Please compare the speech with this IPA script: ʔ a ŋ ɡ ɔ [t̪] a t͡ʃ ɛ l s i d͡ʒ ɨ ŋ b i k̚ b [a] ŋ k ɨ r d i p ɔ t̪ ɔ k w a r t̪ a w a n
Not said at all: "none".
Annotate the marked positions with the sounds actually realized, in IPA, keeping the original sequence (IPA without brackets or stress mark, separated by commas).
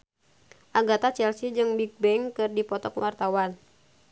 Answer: t̪, ɛ